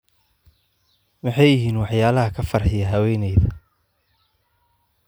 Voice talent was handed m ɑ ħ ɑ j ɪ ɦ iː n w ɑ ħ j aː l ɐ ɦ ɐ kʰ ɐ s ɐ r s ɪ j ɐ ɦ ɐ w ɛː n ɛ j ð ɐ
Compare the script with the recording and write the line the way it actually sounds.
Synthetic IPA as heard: m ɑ ħ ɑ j ɪ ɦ iː n w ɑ ħ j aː l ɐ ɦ ɐ kʰ ɐ f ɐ r ħ ɪ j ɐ ɦ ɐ w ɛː n ɛ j ð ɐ